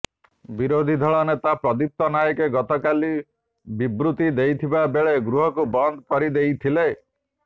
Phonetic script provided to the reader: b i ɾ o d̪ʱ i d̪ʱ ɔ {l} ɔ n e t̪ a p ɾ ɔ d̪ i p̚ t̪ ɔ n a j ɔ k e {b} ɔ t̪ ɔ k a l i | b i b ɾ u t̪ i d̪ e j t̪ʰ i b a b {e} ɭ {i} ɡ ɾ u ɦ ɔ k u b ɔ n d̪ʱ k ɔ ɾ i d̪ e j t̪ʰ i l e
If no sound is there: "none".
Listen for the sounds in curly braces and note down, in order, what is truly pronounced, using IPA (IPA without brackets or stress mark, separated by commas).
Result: ɭ, ɡ, e, e